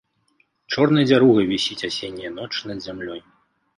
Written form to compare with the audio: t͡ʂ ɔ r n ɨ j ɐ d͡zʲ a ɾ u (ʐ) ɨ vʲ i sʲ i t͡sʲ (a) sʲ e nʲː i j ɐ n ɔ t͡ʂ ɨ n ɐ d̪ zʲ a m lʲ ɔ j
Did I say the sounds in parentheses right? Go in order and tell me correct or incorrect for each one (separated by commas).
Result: incorrect, correct